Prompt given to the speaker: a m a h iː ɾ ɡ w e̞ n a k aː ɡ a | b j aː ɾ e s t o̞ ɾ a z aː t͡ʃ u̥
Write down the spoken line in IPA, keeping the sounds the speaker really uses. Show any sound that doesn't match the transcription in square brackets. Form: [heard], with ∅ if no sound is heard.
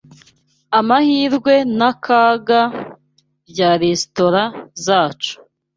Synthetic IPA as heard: a m a h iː ɾ ɡ w e̞ n a k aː ɡ a | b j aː ɾ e s t o̞ ɾ a z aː t͡ʃ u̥